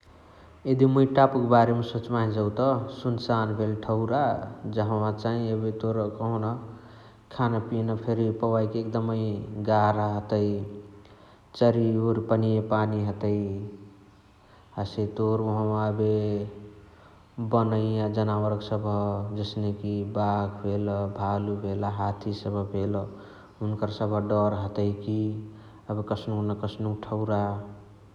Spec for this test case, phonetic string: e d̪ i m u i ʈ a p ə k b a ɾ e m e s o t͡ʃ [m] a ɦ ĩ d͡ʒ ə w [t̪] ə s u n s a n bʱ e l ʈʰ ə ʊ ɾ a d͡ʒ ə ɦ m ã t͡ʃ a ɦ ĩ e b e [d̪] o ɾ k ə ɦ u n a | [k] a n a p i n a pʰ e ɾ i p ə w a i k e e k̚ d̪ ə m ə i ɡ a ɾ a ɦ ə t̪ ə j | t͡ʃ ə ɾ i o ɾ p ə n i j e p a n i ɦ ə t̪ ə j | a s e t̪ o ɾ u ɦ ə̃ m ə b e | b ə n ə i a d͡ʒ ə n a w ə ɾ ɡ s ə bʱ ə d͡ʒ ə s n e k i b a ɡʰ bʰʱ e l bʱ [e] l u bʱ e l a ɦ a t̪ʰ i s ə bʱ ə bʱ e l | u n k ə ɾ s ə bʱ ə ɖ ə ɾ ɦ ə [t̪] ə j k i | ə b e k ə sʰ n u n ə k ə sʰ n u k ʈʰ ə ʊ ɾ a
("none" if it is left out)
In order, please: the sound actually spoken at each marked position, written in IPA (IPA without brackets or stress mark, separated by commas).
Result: m, t̪, t̪, kʰ, a, t̪